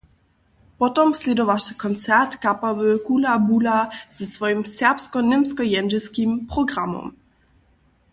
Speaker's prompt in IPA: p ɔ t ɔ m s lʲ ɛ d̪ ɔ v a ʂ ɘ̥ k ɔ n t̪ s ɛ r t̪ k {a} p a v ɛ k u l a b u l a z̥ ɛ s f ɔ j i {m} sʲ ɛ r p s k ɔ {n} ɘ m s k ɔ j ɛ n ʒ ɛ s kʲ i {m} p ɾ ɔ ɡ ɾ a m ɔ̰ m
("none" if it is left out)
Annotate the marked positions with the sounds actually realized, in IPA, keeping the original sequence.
a, m, n, m

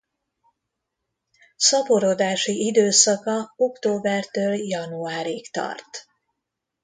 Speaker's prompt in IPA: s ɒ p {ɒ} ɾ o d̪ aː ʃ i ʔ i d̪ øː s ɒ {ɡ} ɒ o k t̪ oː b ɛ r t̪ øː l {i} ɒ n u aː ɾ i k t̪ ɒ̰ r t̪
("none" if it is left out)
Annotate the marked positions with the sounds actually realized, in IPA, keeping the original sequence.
o, k, j

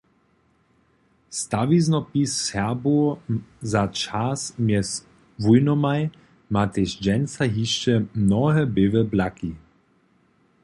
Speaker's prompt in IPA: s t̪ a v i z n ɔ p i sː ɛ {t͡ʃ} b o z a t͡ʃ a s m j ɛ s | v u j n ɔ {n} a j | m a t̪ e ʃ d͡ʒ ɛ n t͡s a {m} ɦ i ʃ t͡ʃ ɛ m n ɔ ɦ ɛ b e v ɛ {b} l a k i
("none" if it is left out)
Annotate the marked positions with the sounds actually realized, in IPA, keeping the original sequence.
none, m, none, b

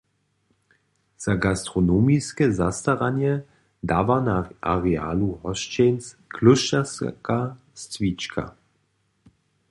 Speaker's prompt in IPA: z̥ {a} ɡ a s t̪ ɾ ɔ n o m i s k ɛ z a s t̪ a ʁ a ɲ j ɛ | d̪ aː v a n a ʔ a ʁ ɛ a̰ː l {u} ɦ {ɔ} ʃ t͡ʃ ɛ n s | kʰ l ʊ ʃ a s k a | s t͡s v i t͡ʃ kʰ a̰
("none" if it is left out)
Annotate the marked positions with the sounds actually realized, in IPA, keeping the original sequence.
a, u, ɔ

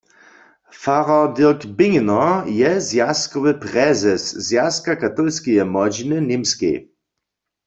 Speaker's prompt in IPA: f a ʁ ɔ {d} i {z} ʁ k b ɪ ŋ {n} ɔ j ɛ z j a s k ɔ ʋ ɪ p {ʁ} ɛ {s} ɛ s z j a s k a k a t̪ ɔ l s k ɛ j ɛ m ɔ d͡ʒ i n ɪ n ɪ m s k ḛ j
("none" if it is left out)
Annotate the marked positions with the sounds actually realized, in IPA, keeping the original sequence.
d, none, n, ʁ, z

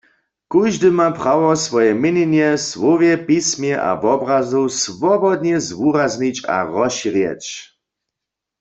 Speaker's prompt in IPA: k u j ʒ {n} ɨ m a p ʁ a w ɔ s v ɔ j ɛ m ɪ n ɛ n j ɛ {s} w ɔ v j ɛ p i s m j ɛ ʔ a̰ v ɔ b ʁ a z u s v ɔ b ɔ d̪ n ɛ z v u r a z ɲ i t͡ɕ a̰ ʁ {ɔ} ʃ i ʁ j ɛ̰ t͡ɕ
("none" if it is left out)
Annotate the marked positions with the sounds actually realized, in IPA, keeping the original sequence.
d, s, ɔ

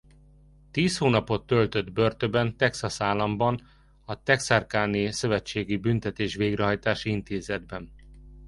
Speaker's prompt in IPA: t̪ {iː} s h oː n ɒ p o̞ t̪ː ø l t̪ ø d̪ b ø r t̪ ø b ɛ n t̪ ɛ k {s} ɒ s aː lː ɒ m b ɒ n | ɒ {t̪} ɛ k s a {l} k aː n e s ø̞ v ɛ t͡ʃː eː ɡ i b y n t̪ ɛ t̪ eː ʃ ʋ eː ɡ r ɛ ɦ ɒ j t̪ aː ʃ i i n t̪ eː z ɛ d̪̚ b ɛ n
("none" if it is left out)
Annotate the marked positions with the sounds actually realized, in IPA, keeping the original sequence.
iː, s, t̪, r

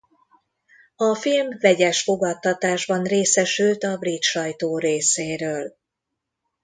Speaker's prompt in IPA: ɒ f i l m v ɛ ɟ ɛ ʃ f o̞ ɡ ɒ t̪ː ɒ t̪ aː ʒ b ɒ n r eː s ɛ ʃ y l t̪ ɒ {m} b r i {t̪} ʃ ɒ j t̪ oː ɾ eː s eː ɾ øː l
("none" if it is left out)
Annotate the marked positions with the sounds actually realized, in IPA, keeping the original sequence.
none, t̪

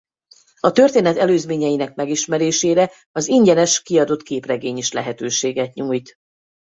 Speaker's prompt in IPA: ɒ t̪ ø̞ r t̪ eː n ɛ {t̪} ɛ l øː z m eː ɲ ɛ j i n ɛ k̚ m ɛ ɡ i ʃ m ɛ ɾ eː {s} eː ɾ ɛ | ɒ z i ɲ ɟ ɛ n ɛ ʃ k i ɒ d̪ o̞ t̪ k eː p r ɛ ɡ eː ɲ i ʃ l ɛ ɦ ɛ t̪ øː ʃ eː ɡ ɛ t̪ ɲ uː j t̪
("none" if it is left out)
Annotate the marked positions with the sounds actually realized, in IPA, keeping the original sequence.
t̪, ʃ

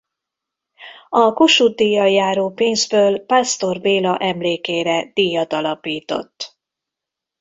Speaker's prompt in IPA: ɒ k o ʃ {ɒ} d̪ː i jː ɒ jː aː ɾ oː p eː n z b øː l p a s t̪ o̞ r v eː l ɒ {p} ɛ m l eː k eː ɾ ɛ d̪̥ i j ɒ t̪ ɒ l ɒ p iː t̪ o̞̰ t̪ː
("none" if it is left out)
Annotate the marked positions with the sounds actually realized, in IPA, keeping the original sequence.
u, ʔ

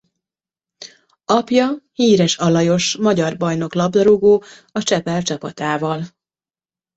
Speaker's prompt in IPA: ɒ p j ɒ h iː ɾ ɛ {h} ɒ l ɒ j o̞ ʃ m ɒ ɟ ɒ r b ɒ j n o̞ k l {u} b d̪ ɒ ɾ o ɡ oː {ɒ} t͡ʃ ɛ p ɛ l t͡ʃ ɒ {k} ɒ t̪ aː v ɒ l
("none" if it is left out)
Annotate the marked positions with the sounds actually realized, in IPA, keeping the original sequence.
ʃ, ɒ, ɒ, p

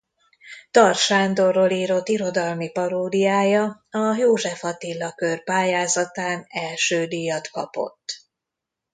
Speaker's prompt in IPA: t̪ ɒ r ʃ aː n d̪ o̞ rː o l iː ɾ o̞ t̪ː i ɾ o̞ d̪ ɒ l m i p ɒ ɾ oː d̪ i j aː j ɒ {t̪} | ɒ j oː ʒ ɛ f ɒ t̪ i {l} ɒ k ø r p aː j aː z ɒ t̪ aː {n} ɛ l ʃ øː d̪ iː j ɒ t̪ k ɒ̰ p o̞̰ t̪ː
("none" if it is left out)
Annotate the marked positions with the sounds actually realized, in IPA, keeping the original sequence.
none, lː, n

